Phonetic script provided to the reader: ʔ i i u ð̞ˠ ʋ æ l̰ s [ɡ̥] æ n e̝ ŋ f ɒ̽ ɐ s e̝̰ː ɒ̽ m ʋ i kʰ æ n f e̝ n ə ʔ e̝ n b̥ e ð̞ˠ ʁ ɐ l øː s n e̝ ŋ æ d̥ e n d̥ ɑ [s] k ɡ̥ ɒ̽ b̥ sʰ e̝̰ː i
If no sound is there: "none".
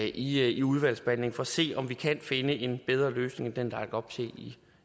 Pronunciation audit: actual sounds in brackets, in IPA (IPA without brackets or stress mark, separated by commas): b̥, none